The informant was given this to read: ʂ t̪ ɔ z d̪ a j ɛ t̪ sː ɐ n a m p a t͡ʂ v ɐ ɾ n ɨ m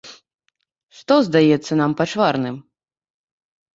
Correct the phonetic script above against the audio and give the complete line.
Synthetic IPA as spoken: ʂ t̪ ɔ z d̪ a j ɛ t̪ sː ɐ n a m p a t͡ʂ v a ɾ n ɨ m

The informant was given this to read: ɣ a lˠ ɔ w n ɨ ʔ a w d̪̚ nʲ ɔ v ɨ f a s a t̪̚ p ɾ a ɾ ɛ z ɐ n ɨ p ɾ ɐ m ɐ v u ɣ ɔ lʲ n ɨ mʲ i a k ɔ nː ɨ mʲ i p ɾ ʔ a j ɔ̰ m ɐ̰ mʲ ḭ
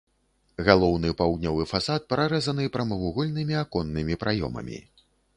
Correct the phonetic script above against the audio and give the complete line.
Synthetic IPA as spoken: ɣ a lˠ ɔ w n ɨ p a w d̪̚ nʲ ɔ v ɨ f a s a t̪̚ p ɾ a ɾ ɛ z ɐ n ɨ p ɾ ɐ m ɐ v u ɣ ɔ lʲ n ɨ mʲ i a k ɔ nː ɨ mʲ i p ɾ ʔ a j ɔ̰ m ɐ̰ mʲ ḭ

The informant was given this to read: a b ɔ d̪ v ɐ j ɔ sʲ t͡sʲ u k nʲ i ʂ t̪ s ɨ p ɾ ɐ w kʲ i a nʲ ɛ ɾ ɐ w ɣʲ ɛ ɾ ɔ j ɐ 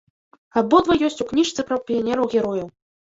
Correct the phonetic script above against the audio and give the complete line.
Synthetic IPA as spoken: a b ɔ d̪ v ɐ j ɔ sʲ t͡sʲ u k nʲ i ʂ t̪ s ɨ p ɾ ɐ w pʲ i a nʲ ɛ ɾ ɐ w ɣʲ ɛ ɾ ɔ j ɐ

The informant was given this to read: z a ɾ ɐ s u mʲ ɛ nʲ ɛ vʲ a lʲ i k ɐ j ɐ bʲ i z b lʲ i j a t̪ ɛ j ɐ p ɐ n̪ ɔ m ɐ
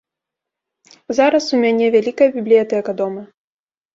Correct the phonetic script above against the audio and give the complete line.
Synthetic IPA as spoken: z a ɾ ɐ s u mʲ a nʲ ɛ vʲ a lʲ i k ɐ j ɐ bʲ i b lʲ i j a t̪ ɛ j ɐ k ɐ d̪ ɔ m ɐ

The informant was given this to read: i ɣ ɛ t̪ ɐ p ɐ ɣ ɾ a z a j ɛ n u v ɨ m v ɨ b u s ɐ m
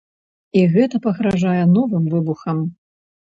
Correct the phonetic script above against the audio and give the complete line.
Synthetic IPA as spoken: i ɣ ɛ t̪ ɐ p ɐ ɣ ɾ a ʐ a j ɛ n ɔ v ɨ m v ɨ b u x ɐ m

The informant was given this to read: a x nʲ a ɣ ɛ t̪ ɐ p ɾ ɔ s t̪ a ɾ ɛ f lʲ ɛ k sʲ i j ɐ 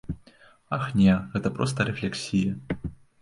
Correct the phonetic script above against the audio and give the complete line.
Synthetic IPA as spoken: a x nʲ ɛ ɣ ɛ t̪ ɐ p ɾ ɔ s t̪ ɐ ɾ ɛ f lʲ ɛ k sʲ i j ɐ

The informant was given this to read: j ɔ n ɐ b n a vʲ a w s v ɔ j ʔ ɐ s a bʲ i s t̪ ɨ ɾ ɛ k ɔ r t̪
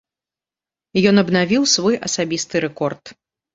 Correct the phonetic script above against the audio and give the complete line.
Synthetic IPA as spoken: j ɔ n ɐ b n a vʲ i w s v ɔ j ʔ ɐ s a bʲ i s t̪ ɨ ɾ ɛ k ɔ r t̪

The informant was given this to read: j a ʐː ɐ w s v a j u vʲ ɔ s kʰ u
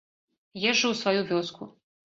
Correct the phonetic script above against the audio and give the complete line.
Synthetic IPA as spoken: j ɛ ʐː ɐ w s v a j u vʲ ɔ s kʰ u

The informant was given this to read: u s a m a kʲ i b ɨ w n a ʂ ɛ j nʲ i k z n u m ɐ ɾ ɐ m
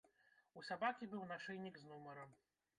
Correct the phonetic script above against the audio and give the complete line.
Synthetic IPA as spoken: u s a b a kʲ i b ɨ w n a ʂ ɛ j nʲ i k z n u m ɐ ɾ ɐ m

